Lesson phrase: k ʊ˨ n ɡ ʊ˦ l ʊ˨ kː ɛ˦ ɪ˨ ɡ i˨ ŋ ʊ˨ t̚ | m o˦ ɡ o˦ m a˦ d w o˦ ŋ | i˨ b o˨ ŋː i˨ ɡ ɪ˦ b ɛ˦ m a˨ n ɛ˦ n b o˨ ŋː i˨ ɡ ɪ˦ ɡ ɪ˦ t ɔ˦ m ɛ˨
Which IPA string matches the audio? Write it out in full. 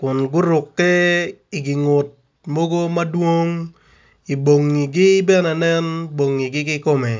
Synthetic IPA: k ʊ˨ n ɡ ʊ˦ ɾ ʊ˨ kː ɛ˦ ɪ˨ ɡ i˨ ŋ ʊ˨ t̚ | m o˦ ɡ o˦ m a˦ d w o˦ ŋ | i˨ b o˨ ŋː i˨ ɡ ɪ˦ b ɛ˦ n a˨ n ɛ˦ n b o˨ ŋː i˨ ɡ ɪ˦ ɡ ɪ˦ k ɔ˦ m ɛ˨